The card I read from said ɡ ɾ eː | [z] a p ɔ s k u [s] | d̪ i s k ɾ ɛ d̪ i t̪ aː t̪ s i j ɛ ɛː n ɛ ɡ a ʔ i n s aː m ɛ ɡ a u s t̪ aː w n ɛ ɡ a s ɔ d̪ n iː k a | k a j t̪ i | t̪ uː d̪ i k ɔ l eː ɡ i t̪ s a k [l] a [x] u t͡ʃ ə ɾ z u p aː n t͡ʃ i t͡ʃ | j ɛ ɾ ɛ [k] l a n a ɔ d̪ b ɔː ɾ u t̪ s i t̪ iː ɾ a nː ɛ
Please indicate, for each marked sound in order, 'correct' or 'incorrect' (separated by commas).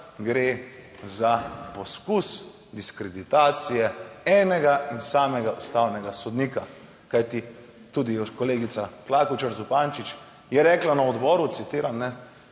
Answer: correct, correct, correct, incorrect, correct